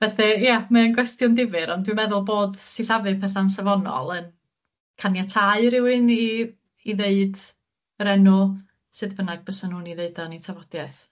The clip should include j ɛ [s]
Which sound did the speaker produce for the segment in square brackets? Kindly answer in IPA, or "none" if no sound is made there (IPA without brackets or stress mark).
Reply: θ